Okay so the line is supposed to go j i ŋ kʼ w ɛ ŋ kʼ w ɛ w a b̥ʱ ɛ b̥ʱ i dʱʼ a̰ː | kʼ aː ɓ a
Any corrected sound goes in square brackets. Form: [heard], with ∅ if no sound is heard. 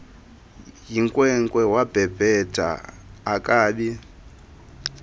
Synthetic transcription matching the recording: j i ŋ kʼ w ɛ ŋ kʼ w ɛ w a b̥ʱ ɛ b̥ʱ [ɛ] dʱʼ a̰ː | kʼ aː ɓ [i]